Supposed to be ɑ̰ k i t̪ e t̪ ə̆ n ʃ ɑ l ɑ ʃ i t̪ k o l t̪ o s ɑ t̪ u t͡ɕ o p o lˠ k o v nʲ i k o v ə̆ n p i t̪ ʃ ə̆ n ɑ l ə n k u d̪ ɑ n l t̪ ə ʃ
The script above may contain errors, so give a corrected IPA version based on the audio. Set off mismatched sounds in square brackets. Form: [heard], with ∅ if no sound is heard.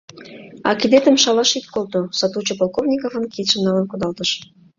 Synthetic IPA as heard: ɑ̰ k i [d̪] e t̪ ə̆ [m] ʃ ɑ l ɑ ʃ i t̪ k o l t̪ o s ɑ t̪ u t͡ɕ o p o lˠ k o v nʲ i k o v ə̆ n [k] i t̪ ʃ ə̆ n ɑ l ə n k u d̪ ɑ [∅] l t̪ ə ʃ